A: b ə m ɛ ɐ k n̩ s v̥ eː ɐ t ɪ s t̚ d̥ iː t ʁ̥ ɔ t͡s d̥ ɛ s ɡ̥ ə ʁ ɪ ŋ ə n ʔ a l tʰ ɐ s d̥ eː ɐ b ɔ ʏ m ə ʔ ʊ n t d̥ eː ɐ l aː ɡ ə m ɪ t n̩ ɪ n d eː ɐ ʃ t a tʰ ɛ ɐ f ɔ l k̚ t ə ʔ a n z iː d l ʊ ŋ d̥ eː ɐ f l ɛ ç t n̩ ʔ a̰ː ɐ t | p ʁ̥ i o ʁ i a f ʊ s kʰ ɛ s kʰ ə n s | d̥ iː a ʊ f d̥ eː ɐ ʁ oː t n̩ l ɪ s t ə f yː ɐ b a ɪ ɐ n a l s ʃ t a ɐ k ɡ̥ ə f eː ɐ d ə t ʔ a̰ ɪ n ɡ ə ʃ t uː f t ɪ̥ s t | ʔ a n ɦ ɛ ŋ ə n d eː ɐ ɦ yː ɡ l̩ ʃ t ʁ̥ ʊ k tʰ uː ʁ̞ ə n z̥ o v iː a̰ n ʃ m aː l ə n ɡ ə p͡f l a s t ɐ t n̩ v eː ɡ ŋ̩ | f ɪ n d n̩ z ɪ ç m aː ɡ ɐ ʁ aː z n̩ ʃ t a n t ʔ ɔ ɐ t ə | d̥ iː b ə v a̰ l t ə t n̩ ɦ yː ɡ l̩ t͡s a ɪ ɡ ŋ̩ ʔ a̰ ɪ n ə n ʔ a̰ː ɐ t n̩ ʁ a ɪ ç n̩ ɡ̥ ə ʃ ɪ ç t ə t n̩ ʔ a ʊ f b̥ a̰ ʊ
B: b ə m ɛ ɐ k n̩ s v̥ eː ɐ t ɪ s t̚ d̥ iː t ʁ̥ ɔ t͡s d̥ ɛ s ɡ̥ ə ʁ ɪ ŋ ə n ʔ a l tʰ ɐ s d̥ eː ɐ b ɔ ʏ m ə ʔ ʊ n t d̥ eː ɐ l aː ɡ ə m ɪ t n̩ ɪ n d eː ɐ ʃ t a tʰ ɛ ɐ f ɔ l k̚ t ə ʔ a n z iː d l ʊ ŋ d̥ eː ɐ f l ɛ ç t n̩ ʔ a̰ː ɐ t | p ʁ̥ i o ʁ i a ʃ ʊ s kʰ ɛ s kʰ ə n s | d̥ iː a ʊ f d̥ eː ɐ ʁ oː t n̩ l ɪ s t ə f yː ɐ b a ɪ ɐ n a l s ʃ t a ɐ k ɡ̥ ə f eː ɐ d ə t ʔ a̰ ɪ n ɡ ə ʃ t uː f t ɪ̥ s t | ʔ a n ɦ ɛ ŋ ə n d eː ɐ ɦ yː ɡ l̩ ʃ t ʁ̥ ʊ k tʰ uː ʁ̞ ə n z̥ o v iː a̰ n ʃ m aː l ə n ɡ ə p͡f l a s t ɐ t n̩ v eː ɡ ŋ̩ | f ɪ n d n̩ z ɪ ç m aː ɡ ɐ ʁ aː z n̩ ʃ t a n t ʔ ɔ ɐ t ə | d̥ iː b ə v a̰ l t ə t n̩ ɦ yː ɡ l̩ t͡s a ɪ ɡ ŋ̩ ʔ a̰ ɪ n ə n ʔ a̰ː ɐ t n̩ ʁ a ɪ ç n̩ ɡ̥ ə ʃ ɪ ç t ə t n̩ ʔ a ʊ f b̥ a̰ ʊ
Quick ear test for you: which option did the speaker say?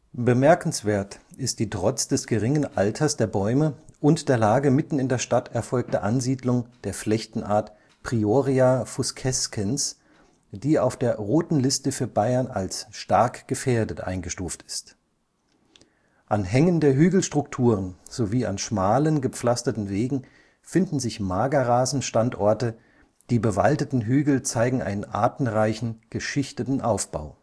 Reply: A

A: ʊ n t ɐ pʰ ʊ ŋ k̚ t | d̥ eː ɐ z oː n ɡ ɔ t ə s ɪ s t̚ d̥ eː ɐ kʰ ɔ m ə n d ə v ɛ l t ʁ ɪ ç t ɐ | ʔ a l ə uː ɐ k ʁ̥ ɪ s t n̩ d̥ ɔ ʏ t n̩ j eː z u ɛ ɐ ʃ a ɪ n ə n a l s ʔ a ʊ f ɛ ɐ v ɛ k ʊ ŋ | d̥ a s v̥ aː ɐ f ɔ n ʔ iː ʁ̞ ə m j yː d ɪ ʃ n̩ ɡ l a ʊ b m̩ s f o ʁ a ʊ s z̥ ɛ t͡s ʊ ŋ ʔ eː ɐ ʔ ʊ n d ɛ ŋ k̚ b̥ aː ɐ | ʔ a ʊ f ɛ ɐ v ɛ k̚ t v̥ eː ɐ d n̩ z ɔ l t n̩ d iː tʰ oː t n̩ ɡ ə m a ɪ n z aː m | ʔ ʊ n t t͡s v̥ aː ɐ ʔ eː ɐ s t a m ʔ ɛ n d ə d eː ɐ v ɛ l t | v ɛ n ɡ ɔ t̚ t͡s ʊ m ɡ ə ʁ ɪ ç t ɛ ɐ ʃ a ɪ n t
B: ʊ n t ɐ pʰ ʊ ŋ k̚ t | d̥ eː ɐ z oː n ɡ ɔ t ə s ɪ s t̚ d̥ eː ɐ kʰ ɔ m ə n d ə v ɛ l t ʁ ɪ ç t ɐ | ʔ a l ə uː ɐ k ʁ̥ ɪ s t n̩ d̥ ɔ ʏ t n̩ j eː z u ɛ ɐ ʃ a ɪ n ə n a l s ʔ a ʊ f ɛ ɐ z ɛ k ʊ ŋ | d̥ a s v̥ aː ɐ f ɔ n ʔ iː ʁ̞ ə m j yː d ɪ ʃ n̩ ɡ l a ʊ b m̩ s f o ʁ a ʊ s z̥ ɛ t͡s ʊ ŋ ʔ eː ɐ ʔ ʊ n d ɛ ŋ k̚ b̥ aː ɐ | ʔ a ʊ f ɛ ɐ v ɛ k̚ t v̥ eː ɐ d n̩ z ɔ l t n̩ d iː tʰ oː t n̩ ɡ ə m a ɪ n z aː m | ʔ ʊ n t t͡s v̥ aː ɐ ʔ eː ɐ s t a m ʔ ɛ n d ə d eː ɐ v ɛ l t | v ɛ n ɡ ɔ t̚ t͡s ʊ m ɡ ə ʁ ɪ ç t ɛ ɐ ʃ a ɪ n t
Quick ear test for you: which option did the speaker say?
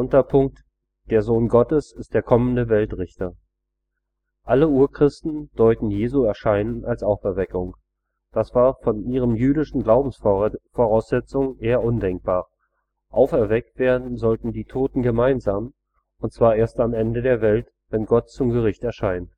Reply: A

